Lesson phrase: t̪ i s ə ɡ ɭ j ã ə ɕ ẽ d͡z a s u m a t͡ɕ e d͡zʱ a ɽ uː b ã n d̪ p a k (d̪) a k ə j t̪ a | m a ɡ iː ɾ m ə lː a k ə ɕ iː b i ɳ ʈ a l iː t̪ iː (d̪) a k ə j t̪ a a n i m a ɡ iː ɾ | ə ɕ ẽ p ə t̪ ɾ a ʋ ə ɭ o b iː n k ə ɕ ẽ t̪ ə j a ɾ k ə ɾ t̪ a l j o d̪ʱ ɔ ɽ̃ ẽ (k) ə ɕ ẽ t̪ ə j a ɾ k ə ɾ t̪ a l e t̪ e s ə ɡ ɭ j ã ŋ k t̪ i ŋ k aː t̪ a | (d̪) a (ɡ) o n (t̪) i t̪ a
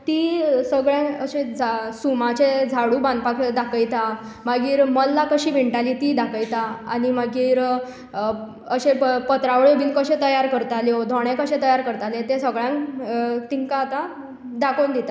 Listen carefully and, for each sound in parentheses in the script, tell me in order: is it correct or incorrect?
correct, correct, correct, correct, incorrect: k, incorrect: d̪

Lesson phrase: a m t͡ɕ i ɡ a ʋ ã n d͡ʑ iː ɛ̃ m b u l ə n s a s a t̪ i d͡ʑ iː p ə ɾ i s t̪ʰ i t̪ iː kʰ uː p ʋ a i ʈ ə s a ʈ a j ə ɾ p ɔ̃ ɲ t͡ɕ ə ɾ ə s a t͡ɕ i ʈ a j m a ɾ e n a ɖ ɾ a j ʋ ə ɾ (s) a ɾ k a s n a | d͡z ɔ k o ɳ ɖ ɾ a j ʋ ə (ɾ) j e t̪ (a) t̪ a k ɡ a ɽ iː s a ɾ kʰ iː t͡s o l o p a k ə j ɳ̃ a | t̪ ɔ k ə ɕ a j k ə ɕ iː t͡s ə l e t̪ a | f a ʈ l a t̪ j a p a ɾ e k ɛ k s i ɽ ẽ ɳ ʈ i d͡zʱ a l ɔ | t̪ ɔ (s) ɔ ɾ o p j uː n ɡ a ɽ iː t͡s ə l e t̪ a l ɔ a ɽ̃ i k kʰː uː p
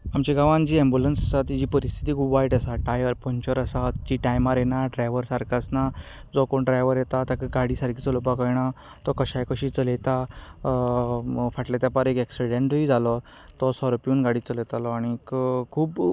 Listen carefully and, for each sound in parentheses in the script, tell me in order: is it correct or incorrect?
correct, correct, correct, correct

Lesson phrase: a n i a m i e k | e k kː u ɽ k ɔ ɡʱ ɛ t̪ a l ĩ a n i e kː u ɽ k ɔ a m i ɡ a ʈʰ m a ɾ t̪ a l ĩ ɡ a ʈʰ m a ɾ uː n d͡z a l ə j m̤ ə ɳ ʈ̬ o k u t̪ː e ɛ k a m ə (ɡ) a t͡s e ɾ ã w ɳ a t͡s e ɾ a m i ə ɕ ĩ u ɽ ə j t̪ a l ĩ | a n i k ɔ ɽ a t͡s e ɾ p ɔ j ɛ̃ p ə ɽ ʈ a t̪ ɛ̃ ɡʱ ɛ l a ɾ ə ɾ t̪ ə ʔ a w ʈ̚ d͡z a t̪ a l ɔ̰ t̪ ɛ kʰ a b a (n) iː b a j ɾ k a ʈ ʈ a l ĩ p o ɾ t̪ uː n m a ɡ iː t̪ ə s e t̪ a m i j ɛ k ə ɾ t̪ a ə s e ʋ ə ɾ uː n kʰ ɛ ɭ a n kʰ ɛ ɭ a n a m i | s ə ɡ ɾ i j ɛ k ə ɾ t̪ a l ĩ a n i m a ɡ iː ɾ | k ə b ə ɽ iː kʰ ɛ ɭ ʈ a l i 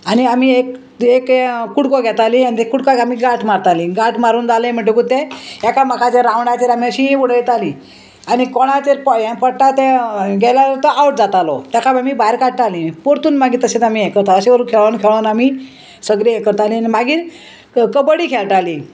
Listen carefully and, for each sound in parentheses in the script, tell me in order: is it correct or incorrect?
incorrect: k, incorrect: m

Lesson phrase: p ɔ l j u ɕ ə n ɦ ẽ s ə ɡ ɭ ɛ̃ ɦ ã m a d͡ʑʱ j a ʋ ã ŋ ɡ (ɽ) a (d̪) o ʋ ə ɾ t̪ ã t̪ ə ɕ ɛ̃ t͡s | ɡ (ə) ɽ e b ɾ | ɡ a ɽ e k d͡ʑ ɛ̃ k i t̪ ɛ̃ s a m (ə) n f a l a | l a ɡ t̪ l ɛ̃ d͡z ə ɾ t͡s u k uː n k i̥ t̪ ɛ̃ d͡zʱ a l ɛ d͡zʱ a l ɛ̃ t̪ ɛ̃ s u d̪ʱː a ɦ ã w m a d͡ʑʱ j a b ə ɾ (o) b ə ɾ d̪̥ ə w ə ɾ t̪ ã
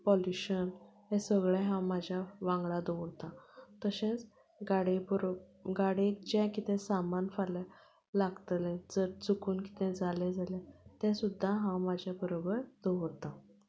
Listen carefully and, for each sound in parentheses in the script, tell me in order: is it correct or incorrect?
incorrect: ɭ, correct, incorrect: a, incorrect: a, correct

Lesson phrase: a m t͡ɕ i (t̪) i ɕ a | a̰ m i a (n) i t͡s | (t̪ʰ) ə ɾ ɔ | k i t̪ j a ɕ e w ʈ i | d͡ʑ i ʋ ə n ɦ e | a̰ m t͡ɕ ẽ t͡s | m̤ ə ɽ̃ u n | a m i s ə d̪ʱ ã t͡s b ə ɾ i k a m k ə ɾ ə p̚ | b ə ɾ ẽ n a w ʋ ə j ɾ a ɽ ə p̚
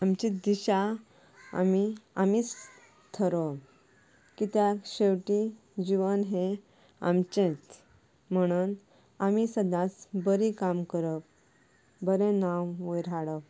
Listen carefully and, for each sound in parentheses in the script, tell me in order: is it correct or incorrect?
incorrect: d̪, incorrect: m, correct

